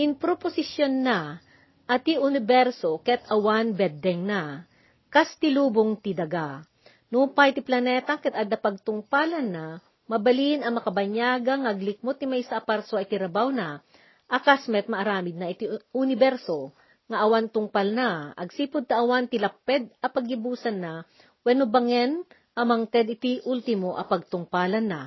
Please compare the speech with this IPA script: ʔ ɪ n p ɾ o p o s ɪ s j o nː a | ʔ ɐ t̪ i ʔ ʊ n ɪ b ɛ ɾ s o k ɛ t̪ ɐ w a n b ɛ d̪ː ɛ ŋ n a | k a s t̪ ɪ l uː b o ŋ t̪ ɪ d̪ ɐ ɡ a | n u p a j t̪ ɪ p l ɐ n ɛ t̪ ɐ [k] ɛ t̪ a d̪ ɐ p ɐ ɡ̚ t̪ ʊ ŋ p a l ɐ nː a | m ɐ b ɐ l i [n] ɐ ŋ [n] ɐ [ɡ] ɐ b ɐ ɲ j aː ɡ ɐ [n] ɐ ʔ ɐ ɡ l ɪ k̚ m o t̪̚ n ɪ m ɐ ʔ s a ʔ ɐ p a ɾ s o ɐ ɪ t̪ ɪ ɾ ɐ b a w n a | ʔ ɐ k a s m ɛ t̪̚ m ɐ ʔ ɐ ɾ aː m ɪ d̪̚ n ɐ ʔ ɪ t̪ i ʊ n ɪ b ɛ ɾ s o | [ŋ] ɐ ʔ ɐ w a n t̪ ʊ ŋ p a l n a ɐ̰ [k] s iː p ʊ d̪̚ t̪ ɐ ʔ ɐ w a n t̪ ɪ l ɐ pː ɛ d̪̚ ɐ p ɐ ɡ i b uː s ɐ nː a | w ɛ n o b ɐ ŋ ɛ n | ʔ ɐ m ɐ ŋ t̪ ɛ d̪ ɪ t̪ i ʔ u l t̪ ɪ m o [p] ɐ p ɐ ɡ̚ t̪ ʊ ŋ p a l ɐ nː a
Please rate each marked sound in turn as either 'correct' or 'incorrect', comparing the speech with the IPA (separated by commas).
correct, correct, incorrect, incorrect, incorrect, correct, incorrect, incorrect